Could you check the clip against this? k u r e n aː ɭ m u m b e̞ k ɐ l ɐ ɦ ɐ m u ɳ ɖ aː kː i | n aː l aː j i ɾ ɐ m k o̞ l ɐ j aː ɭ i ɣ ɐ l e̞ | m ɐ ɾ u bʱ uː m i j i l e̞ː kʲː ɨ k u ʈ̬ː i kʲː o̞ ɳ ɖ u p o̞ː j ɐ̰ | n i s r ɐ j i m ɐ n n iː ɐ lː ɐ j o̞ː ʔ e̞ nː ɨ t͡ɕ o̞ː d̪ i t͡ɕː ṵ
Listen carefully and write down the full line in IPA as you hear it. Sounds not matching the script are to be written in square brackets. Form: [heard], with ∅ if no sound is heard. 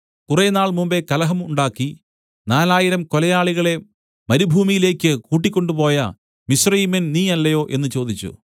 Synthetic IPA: k u r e n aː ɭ m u m b e̞ k ɐ l ɐ ɦ ɐ m u ɳ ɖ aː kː i | n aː l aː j i ɾ ɐ m k o̞ l ɐ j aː ɭ i ɣ ɐ [ɭ] e̞ | m ɐ ɾ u bʱ uː m i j i l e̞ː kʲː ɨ k [uː] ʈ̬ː i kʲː o̞ ɳ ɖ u p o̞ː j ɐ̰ | [m] i s r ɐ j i m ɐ n n iː ɐ lː ɐ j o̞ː ʔ e̞ nː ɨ t͡ɕ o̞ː d̪ i t͡ɕː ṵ